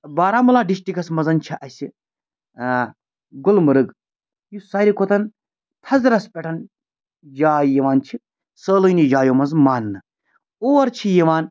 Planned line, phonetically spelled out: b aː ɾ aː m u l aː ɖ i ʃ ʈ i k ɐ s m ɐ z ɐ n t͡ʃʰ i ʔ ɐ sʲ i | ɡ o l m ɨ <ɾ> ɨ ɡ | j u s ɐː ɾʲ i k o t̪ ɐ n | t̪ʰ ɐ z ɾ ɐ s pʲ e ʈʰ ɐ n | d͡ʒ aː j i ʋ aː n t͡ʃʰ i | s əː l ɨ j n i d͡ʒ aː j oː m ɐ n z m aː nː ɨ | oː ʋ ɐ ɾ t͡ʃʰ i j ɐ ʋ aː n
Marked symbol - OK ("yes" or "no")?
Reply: yes